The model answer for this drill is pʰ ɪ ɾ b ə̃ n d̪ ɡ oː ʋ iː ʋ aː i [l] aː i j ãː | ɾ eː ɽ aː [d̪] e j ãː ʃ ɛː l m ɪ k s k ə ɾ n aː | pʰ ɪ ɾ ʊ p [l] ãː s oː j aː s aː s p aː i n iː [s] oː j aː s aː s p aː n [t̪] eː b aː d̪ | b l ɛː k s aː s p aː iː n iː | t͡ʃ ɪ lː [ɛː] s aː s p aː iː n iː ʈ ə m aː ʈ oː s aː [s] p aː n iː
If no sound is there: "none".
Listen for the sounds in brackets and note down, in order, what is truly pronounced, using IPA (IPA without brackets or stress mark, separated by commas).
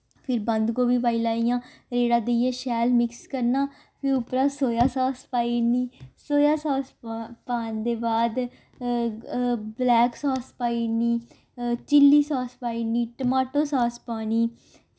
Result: l, d̪, ɾ, s, d̪, iː, s